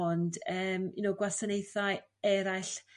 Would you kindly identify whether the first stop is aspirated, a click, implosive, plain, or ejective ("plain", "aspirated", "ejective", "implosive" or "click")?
plain